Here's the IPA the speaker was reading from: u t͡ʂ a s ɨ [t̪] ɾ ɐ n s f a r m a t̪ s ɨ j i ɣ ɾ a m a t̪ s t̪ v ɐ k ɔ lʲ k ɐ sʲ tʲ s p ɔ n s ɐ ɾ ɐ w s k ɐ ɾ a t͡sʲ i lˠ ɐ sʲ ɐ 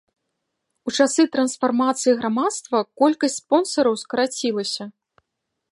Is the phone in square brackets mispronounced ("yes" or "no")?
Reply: no